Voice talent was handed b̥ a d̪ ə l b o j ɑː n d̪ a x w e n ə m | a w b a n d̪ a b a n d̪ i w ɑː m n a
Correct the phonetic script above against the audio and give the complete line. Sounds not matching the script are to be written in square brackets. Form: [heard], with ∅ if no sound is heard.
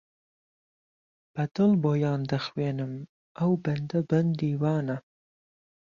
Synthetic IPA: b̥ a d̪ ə l b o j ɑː n d̪ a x w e n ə m | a w b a n d̪ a b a n d̪ i w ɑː [∅] n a